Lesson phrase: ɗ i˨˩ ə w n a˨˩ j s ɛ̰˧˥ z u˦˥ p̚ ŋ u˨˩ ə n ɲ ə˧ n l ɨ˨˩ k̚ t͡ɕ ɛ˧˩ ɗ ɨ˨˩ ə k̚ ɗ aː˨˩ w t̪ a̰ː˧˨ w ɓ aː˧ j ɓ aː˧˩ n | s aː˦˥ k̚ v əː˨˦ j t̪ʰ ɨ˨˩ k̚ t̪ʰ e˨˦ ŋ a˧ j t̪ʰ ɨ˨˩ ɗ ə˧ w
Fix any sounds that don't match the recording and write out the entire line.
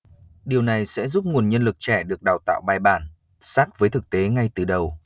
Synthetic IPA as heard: ɗ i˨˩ ə w n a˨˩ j s ɛ̰˧˥ z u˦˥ p̚ ŋ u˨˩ ə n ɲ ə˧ n l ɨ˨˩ k̚ t͡ɕ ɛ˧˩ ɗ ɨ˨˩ ə k̚ ɗ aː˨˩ w t̪ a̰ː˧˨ w ɓ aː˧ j ɓ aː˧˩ n | s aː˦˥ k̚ v əː˨˦ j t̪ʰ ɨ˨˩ k̚ t̪ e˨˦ ŋ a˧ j t̪ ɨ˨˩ ɗ ə˨˩ w